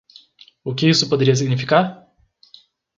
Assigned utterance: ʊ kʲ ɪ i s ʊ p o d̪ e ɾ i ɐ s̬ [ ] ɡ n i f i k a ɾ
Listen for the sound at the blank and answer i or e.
i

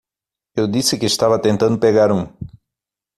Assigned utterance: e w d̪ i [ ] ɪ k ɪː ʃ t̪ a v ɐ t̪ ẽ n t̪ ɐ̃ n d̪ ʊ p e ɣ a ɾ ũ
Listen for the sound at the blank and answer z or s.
s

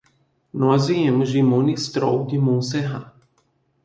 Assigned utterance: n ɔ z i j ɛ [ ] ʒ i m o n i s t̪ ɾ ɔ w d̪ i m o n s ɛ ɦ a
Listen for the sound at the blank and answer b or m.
m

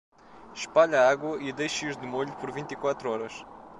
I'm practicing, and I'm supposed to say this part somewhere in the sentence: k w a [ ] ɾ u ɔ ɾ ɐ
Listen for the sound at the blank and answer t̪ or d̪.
t̪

